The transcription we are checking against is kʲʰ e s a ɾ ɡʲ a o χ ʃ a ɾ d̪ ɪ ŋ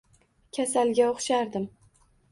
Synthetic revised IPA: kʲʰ a s a l ɡʲ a o χ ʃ a ɾ d̪ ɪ m